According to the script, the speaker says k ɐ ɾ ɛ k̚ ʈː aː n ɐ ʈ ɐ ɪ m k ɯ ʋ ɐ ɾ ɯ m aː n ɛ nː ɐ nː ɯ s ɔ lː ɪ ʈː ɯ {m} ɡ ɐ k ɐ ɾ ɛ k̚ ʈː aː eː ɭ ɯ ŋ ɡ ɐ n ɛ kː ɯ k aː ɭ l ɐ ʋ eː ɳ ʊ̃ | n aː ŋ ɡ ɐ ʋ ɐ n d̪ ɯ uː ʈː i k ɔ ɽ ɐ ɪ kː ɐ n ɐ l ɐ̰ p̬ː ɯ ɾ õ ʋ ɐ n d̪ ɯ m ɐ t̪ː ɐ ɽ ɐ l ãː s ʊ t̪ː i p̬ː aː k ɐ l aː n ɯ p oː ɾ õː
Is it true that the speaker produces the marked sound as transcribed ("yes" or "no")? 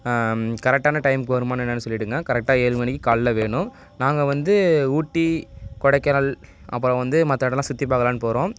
no